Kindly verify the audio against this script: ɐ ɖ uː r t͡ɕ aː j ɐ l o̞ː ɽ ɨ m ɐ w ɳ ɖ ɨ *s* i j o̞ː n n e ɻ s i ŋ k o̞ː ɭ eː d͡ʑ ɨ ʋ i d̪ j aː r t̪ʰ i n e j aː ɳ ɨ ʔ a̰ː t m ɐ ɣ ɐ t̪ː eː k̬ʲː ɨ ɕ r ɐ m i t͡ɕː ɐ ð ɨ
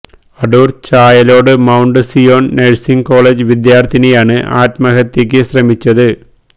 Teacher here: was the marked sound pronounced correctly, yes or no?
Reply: yes